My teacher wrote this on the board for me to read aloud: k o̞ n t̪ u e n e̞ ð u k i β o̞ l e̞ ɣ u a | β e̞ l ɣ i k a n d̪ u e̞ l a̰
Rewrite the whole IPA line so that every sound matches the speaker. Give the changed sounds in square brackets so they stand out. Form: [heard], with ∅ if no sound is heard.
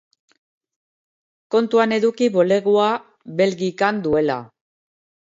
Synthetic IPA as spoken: k o̞ n t̪ u [a] n e̞ ð u k i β o̞ l e̞ ɣ u a | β e̞ l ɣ i k a n d̪ u e̞ l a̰